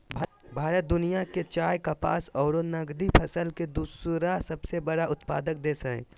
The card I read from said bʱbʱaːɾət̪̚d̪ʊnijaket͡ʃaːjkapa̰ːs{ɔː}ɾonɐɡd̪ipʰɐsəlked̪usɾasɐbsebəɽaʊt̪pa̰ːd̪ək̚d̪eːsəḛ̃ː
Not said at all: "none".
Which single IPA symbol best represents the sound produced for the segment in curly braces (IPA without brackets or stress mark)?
ɔː